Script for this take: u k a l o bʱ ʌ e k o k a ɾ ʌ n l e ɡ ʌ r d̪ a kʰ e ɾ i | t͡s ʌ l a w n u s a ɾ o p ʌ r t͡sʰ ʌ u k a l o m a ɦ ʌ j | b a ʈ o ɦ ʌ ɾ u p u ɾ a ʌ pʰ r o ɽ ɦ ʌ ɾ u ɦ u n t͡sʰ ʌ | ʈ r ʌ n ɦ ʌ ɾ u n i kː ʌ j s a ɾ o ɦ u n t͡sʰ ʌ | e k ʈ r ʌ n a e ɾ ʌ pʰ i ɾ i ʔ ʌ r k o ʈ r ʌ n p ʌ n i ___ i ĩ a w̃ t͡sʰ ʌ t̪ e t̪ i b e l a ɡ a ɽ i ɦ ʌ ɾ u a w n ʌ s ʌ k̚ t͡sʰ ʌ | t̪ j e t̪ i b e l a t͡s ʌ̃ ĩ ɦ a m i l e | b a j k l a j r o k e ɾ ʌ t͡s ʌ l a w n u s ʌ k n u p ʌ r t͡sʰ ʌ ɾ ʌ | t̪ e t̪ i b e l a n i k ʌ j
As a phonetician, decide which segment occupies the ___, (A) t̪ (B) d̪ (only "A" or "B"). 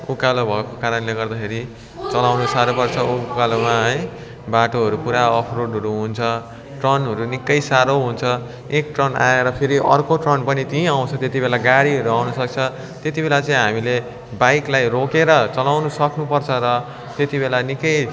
A